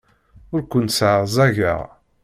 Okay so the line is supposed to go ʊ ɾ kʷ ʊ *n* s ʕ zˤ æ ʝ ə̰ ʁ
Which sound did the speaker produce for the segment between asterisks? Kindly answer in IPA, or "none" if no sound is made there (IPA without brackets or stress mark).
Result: n